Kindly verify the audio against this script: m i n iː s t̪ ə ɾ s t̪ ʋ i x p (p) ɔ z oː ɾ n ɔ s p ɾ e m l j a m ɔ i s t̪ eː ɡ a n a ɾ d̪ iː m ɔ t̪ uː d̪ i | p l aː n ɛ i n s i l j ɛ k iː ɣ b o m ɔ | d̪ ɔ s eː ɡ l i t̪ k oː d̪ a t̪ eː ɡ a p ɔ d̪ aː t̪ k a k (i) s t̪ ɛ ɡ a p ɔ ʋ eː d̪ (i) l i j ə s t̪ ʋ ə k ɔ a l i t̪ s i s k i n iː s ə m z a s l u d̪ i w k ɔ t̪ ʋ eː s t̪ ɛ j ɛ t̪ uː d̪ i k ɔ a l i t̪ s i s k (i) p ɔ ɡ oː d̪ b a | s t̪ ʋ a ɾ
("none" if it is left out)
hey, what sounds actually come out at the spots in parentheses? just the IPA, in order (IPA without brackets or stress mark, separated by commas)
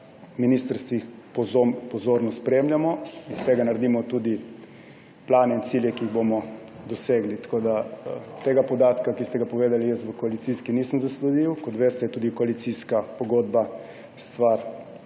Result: p, i, a, a